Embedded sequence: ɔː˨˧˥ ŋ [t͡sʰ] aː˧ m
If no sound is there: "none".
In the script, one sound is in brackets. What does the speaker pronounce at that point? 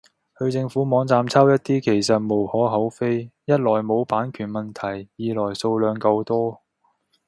t͡s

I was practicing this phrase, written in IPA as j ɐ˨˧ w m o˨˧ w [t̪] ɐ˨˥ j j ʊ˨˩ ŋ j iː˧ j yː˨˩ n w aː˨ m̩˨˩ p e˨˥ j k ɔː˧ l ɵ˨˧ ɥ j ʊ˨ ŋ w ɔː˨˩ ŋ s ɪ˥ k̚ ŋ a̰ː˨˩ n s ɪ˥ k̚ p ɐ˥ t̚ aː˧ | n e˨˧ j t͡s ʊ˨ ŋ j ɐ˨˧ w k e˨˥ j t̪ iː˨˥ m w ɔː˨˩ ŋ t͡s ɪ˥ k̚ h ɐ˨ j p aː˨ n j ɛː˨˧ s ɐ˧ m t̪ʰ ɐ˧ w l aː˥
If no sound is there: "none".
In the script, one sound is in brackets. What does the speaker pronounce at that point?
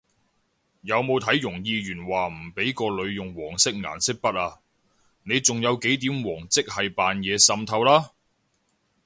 t̪ʰ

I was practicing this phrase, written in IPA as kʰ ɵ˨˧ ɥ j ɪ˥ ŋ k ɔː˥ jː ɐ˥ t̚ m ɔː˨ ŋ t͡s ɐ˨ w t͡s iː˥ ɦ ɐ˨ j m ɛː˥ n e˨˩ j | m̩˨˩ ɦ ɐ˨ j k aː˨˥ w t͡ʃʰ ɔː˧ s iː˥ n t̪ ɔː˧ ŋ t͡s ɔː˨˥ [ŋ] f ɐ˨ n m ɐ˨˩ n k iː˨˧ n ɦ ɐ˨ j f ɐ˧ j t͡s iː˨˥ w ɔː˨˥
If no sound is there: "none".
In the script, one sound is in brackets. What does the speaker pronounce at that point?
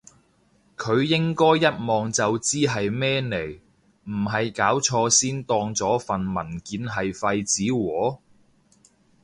none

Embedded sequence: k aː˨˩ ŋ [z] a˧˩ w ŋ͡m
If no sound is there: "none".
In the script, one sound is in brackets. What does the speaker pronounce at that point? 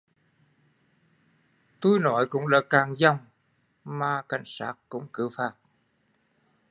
z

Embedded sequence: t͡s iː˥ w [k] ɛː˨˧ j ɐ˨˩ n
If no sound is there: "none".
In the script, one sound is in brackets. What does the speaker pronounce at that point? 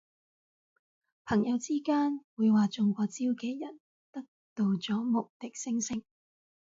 k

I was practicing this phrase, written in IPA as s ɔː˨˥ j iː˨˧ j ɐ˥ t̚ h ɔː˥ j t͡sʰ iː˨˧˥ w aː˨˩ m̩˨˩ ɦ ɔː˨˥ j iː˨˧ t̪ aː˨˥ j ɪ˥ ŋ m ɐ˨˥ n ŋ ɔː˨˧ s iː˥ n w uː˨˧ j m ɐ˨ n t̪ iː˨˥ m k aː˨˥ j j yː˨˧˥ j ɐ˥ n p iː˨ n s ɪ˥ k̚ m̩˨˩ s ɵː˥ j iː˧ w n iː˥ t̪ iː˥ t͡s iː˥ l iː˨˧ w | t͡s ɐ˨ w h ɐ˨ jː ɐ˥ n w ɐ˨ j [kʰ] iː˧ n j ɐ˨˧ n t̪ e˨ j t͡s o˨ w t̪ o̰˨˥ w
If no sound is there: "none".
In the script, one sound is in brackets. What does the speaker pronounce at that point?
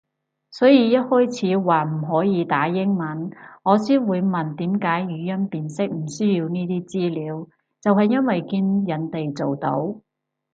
k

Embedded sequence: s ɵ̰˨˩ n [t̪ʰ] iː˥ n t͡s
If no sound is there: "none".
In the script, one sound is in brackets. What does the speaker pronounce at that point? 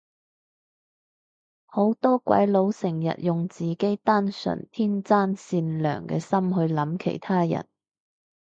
t̪ʰ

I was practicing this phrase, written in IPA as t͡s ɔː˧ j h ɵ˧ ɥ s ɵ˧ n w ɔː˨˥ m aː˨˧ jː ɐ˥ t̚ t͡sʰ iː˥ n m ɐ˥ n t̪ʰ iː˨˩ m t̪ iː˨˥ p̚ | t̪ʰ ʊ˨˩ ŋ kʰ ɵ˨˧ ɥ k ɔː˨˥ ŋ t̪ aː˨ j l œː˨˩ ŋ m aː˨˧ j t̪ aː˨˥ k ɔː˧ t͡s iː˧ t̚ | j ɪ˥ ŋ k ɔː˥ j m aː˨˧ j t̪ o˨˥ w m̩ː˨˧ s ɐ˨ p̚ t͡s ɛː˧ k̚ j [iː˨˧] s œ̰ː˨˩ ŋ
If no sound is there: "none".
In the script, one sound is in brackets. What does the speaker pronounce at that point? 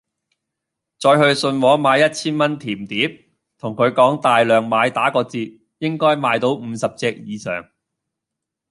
iː˨˧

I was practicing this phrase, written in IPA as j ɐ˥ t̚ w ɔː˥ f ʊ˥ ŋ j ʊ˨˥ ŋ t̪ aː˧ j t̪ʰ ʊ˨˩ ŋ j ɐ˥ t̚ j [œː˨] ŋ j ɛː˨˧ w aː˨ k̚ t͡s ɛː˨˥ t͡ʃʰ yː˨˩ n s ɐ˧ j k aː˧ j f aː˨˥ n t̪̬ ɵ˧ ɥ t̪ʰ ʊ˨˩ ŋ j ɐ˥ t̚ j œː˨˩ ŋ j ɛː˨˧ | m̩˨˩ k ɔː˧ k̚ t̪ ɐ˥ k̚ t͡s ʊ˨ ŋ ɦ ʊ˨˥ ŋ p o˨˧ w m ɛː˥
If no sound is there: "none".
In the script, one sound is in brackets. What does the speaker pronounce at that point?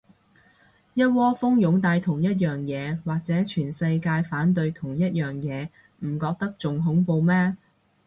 œː˨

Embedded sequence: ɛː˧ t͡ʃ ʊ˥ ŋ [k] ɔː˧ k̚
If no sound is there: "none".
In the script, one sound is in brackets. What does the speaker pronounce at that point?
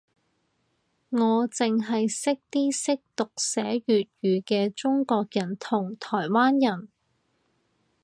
k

